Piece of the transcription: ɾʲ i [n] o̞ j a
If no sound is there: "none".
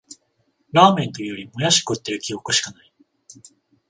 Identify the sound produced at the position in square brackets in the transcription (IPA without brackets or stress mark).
m